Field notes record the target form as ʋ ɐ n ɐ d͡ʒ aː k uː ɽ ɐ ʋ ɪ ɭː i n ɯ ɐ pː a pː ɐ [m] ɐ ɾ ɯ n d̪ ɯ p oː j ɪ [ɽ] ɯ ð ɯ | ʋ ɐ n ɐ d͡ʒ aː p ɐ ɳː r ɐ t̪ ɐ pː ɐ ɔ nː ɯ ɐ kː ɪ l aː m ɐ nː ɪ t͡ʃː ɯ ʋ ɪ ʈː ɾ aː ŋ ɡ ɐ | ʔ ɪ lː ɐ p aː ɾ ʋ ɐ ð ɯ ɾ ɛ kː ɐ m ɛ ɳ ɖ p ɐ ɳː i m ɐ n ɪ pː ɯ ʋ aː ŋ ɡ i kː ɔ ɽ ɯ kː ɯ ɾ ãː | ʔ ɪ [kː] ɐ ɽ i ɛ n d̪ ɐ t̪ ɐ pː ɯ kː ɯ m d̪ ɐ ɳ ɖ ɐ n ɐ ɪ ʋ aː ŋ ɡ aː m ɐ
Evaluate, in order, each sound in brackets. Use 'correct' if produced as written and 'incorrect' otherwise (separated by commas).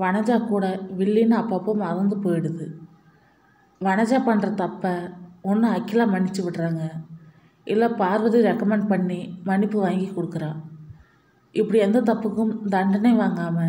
correct, correct, incorrect